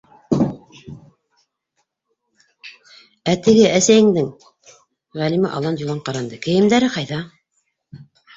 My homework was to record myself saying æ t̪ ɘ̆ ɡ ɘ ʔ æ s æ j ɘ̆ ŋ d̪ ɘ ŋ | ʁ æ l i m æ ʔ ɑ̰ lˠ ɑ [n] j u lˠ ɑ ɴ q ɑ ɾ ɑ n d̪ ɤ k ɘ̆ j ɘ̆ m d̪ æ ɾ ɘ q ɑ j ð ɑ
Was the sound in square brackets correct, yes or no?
yes